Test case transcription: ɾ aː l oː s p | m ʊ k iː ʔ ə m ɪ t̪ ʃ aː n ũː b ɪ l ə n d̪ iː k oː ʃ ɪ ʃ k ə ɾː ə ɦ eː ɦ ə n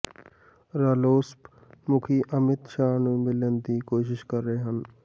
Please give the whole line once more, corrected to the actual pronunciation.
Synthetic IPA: ɾ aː l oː s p | m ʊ kʰ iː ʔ ə m ɪ t̪ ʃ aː n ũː m ɪ l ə n d̪ iː k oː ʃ ɪ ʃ k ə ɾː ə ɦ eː ɦ ə n